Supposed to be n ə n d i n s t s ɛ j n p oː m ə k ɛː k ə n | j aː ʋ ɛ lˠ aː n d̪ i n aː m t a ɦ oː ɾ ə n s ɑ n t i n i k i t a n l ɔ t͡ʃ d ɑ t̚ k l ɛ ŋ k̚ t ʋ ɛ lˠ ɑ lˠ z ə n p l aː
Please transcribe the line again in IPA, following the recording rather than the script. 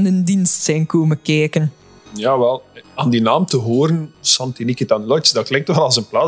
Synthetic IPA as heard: n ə n d i n s t s ɛ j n k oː m ə k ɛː k ə n | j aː ʋ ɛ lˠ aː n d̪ i n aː m t ə ɦ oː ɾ ə n s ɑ n t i n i k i t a n l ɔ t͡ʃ d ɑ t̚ k l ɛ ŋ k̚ t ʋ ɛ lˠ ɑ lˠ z ə n p l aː